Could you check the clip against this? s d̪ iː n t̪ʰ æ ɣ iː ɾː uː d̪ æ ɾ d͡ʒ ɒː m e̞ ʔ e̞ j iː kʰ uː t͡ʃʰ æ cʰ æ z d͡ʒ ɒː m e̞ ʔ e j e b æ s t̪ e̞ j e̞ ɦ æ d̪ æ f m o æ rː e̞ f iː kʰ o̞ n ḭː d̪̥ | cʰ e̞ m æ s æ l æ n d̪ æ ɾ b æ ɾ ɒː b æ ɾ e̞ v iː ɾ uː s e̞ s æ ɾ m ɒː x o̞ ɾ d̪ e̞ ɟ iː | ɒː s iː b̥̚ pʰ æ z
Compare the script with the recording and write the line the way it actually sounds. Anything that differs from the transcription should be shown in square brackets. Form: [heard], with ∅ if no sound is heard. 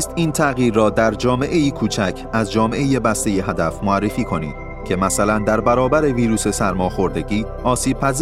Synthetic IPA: s [t̪] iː n t̪ʰ æ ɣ iː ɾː [ɒː] d̪ æ ɾ d͡ʒ ɒː m e̞ ʔ e̞ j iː kʰ uː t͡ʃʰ æ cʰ æ z d͡ʒ ɒː m e̞ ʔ e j e b æ s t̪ e̞ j e̞ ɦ æ d̪ æ f m o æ rː e̞ f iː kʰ o̞ n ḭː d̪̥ | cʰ e̞ m æ s æ l æ n d̪ æ ɾ b æ ɾ ɒː b æ ɾ e̞ v iː ɾ uː s e̞ s æ ɾ m ɒː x o̞ ɾ d̪ e̞ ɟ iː | ɒː s iː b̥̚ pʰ æ z